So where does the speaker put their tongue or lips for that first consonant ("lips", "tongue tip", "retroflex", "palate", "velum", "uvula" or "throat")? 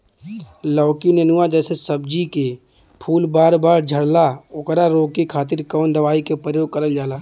tongue tip